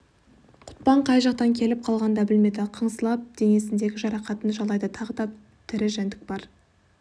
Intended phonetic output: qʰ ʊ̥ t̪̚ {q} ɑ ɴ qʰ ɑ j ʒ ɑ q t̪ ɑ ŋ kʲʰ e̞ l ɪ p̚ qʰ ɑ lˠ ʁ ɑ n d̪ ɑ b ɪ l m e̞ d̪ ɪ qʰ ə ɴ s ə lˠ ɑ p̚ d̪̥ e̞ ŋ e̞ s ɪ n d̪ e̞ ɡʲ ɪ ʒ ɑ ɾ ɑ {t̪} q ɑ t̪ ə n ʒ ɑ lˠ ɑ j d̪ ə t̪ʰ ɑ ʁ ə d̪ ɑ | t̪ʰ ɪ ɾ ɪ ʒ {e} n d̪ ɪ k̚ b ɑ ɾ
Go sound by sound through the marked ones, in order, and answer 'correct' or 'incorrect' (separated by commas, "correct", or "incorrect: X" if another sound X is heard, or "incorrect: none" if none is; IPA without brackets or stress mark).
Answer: incorrect: p, incorrect: none, incorrect: æ